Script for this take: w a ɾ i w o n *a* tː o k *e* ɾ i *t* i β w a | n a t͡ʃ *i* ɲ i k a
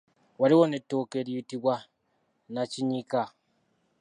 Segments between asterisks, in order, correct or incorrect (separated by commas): incorrect, correct, correct, correct